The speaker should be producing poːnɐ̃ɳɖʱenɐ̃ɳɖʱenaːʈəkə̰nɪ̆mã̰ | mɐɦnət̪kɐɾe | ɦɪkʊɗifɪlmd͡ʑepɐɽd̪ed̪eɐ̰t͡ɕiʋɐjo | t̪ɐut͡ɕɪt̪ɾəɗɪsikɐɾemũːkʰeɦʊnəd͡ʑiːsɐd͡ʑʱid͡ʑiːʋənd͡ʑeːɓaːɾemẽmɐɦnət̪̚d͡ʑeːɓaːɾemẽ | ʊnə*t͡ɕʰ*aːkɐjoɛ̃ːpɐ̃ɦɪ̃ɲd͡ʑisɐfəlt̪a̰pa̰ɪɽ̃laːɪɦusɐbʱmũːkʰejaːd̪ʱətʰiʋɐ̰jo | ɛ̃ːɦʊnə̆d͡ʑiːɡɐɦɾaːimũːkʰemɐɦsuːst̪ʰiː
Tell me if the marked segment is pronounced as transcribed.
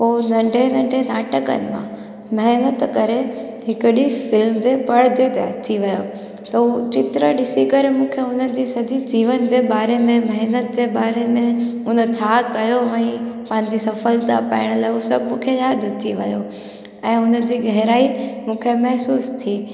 yes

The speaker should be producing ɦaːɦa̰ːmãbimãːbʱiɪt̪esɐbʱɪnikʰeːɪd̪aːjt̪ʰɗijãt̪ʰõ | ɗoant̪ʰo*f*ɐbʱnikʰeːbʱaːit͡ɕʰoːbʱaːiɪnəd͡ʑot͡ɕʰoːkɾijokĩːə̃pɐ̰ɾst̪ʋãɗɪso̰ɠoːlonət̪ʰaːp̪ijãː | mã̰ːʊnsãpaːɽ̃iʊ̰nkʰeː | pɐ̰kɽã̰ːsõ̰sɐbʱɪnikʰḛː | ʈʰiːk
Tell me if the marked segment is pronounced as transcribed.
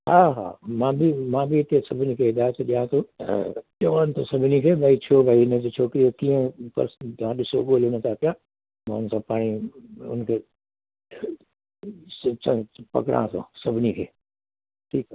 no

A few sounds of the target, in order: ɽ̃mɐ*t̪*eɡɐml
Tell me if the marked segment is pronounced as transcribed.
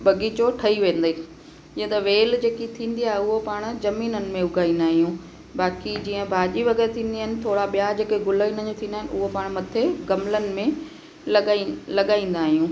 no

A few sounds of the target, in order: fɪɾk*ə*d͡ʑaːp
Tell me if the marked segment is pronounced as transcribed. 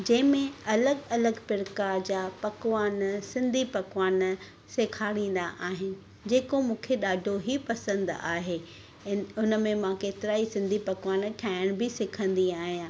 no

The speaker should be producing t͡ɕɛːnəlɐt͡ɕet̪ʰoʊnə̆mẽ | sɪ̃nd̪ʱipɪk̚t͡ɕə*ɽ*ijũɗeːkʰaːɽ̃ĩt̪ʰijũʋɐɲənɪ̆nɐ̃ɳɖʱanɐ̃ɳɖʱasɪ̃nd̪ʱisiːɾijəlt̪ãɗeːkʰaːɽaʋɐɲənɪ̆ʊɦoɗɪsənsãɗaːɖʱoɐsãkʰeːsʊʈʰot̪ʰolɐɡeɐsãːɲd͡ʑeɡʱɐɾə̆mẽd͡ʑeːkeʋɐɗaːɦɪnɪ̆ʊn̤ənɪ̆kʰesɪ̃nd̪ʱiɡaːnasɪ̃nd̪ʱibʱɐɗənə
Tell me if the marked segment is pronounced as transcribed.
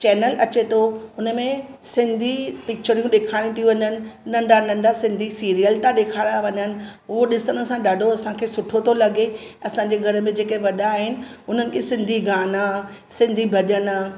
no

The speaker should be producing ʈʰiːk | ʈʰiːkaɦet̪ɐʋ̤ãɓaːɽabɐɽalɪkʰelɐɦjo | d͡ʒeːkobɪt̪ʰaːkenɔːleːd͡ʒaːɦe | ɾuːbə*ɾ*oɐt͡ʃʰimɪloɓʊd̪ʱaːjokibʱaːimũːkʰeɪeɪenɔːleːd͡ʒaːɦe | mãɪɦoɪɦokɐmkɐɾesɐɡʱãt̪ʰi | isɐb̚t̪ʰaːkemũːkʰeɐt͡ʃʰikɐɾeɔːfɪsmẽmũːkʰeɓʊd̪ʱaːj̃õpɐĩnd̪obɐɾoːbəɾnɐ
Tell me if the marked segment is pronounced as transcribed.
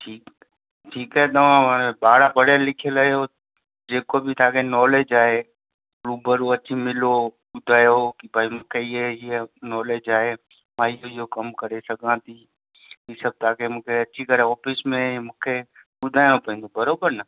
yes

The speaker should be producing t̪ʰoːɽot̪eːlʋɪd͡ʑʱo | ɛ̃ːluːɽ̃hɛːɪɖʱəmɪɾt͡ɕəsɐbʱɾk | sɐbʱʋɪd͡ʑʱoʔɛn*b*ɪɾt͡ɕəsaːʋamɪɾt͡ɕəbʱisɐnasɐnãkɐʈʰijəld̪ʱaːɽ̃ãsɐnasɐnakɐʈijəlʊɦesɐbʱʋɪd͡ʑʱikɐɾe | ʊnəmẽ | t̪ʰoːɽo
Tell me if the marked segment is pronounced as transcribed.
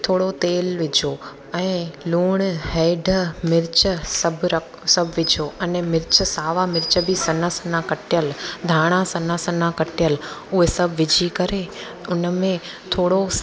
no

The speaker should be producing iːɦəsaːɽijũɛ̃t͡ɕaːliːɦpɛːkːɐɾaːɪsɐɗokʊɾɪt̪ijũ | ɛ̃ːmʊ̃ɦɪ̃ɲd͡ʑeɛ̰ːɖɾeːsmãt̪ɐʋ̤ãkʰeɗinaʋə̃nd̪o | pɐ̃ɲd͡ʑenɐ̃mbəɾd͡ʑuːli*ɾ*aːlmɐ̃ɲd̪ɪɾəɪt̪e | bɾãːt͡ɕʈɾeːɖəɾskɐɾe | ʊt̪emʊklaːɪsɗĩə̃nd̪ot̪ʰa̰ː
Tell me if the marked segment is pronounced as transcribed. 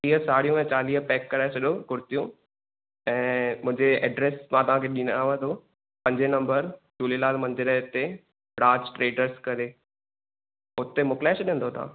no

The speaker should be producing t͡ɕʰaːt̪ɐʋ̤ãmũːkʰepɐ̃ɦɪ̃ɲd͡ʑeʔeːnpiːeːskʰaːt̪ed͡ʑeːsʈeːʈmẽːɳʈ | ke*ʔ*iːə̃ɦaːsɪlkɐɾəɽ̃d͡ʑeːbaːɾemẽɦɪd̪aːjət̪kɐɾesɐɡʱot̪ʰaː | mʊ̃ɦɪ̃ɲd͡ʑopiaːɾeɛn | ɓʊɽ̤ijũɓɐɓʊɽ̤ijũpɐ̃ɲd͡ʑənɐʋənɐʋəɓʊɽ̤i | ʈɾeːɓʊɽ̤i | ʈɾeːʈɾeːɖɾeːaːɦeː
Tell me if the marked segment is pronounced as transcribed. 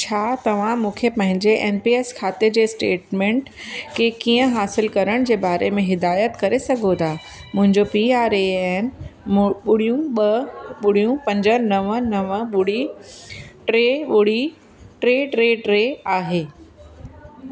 no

